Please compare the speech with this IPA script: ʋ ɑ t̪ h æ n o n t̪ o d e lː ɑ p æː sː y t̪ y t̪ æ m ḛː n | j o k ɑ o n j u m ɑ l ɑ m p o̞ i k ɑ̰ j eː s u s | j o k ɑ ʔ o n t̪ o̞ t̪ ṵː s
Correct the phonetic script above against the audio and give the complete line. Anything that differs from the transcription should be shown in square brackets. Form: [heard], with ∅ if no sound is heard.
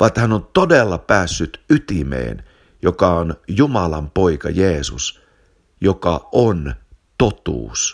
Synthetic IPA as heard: ʋ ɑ t̪ h æ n o n t̪ o d e lː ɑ p æː sː y t̪ y t̪ [i] m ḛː n | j o k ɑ o n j u m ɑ l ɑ m p o̞ i k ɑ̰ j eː s u s | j o k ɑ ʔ o n t̪ o̞ t̪ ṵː s